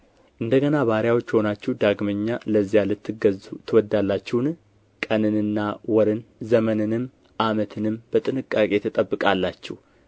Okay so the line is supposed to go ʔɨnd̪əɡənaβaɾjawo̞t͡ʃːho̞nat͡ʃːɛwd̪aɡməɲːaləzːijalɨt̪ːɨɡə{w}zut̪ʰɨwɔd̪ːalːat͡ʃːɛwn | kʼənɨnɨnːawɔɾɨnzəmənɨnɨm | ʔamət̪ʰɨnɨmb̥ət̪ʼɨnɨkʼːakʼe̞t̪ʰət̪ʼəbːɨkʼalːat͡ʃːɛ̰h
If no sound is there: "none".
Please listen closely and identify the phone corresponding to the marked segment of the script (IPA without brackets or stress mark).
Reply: none